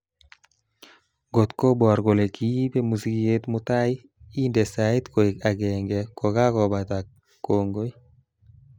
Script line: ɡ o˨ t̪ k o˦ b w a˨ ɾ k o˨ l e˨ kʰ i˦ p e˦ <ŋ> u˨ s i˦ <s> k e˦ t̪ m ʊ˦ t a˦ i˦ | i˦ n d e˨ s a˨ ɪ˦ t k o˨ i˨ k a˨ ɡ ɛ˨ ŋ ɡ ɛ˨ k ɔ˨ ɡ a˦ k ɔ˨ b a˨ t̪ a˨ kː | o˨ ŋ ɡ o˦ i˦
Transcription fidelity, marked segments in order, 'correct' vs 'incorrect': incorrect, incorrect

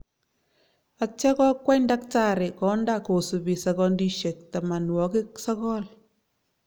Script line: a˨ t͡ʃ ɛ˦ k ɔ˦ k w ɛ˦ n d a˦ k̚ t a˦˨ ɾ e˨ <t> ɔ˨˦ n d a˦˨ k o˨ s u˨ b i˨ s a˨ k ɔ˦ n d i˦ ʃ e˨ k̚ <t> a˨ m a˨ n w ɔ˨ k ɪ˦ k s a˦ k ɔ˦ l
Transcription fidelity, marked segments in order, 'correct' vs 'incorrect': incorrect, correct

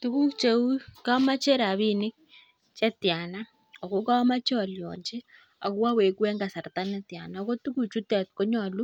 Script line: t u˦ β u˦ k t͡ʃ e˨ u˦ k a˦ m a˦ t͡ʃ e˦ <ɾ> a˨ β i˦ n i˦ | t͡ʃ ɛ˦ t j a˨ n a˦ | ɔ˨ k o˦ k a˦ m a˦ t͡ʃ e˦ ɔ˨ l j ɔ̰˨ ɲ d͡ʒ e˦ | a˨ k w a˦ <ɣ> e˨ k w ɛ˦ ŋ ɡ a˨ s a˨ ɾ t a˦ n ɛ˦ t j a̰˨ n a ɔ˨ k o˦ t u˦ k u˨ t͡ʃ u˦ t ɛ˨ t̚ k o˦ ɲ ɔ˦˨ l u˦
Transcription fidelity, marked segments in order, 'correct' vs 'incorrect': correct, incorrect

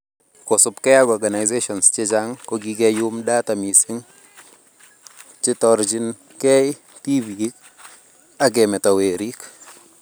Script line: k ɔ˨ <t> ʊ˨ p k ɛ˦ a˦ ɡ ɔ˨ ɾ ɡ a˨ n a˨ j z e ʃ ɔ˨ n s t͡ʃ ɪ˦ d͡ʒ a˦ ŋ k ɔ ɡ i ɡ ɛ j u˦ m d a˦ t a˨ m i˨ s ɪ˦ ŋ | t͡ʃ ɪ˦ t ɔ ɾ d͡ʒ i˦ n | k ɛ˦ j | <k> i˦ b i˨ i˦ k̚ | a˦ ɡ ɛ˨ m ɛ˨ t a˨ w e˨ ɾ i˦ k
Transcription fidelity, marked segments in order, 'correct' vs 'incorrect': incorrect, incorrect

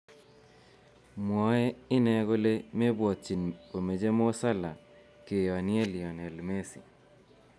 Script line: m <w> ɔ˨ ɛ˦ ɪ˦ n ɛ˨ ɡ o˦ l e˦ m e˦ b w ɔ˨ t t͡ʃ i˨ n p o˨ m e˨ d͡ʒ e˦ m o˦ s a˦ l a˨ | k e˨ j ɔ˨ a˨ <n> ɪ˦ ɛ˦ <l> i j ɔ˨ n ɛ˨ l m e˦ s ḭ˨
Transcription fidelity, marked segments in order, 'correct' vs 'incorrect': correct, correct, correct

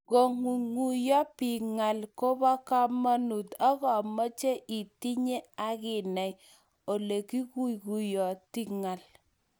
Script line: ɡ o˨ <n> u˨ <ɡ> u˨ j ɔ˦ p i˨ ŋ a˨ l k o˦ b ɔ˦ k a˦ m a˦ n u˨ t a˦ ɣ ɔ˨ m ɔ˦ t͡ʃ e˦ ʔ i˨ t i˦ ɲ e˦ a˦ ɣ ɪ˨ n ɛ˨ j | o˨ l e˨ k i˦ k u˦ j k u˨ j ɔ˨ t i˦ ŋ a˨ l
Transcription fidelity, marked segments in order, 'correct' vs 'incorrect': incorrect, incorrect

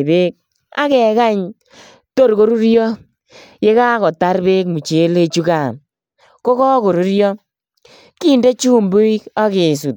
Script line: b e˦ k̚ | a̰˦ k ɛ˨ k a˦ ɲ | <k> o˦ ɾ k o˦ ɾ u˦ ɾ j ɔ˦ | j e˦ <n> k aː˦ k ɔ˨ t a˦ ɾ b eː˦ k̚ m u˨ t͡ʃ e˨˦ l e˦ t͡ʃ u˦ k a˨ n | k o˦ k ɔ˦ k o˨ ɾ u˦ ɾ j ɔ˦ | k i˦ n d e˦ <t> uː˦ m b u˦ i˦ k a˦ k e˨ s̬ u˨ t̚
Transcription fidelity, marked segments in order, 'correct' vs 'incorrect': incorrect, incorrect, incorrect

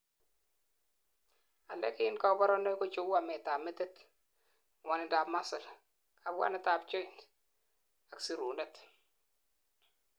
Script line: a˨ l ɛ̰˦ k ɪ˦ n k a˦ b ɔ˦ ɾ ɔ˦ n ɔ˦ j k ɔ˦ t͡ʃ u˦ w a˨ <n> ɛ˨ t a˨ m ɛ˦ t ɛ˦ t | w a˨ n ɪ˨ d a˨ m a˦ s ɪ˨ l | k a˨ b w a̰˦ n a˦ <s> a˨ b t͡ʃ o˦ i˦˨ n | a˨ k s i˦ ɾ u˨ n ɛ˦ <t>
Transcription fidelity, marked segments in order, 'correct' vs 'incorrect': incorrect, incorrect, correct

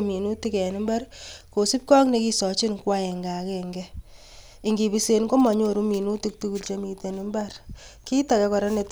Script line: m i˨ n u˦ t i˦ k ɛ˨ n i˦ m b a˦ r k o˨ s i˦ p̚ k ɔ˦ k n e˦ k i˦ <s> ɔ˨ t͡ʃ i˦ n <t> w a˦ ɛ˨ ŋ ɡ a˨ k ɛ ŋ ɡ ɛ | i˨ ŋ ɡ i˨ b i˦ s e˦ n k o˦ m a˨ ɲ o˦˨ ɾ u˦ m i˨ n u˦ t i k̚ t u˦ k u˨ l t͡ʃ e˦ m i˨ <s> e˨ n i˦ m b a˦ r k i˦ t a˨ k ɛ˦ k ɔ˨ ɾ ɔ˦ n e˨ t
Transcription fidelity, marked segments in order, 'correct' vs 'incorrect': correct, incorrect, incorrect

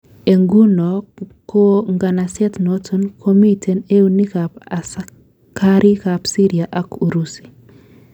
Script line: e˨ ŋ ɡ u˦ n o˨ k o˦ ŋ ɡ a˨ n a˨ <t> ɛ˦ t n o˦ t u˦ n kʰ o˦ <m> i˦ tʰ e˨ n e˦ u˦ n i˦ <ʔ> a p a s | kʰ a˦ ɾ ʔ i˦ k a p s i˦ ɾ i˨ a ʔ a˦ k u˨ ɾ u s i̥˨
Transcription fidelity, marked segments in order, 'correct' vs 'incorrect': incorrect, correct, incorrect

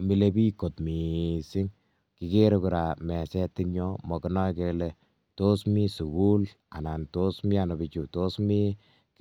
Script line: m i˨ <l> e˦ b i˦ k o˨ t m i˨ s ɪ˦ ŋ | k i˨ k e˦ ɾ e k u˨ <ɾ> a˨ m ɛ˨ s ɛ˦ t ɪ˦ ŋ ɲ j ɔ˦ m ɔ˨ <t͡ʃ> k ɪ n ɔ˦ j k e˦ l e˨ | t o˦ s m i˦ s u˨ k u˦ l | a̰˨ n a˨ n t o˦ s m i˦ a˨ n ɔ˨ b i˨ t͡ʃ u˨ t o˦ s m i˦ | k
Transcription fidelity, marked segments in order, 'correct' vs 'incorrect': correct, correct, incorrect

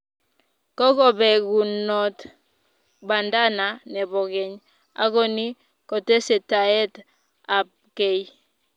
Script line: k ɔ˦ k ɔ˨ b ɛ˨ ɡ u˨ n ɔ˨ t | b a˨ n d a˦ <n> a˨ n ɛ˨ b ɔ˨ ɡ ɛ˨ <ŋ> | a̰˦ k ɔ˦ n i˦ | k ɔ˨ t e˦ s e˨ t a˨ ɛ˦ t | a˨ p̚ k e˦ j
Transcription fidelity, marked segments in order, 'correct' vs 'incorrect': correct, incorrect

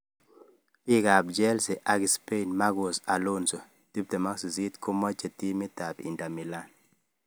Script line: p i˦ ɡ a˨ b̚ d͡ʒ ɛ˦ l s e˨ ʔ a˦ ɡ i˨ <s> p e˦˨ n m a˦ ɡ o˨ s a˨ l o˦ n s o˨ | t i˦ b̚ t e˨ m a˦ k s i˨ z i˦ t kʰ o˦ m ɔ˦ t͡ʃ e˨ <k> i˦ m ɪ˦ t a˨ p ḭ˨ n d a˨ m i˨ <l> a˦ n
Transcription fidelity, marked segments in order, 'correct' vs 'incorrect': correct, incorrect, correct

